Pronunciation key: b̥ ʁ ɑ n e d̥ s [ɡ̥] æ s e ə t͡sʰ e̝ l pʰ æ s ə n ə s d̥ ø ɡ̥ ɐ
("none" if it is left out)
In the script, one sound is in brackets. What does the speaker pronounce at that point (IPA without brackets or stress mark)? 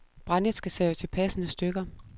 ɡ̥